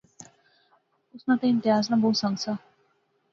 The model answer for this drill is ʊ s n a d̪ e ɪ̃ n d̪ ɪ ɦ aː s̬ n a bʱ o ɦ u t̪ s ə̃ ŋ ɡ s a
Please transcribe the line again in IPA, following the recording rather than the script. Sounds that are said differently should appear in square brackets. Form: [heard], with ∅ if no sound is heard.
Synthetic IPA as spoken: ʊ s n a [t̪] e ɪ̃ n [t̪] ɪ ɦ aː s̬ n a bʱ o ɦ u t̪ s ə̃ ŋ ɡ s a